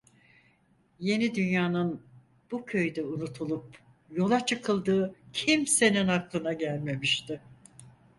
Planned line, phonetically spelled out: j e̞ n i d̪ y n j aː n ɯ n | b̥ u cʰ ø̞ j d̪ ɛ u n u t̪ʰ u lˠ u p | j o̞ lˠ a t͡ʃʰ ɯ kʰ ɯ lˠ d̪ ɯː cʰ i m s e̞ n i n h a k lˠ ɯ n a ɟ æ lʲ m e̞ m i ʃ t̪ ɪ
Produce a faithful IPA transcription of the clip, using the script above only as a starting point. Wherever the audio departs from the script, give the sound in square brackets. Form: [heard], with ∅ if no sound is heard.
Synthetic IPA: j e̞ n i d̪ y n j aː n ɯ n | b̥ u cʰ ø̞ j d̪ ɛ u n u t̪ʰ u lˠ u p | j o̞ lˠ a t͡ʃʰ ɯ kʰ ɯ lˠ d̪ ɯː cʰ i m s e̞ n i n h a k lˠ ɯ n a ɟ æ lʲ m e̞ m i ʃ t̪ ɪ